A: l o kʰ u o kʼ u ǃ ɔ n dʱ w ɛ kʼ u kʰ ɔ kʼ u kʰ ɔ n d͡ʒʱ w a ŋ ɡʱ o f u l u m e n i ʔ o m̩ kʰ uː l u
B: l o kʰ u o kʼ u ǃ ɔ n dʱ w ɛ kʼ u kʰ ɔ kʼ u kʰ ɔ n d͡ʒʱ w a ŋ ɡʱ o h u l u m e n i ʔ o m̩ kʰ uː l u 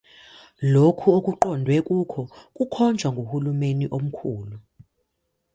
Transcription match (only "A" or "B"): B